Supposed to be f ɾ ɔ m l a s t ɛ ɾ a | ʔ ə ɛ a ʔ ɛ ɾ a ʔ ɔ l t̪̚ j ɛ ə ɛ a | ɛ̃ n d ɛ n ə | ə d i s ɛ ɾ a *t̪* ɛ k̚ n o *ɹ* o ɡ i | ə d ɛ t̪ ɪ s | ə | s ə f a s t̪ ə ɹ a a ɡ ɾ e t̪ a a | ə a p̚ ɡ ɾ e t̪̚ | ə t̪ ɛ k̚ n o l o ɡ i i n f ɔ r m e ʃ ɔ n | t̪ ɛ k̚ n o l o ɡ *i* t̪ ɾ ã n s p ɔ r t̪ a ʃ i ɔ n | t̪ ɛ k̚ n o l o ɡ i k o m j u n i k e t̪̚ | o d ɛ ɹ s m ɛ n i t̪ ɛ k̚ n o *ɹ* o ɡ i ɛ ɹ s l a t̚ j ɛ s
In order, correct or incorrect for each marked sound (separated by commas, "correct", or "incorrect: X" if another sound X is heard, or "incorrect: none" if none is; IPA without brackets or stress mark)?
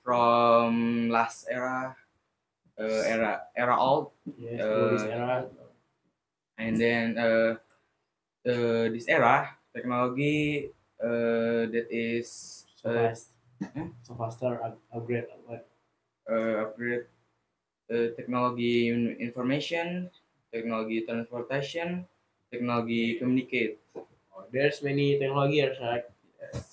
correct, incorrect: l, correct, incorrect: l